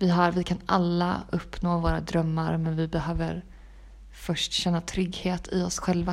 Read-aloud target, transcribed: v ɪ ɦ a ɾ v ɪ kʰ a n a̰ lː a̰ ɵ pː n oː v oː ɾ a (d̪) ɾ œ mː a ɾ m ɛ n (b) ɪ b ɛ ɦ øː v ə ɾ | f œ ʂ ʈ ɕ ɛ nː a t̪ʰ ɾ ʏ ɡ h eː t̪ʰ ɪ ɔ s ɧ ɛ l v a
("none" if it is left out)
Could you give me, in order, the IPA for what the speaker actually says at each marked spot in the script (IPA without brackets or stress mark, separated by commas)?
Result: d̪, v